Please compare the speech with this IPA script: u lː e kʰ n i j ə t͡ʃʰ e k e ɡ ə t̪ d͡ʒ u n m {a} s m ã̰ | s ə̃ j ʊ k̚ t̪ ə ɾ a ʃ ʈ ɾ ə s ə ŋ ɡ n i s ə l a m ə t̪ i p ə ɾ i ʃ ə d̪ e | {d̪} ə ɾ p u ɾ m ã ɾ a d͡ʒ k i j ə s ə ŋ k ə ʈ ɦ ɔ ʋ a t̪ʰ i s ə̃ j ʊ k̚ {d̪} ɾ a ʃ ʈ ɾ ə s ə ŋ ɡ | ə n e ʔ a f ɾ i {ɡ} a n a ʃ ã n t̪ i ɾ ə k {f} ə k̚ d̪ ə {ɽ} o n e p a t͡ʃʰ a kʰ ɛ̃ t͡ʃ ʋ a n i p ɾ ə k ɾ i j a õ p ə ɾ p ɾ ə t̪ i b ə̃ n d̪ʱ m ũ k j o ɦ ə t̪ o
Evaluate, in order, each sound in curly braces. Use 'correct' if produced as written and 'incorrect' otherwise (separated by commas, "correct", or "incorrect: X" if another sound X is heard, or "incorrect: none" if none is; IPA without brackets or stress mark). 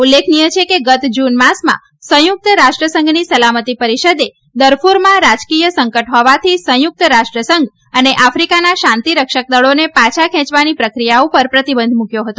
correct, correct, incorrect: t̪, incorrect: k, incorrect: ʃ, incorrect: ɭ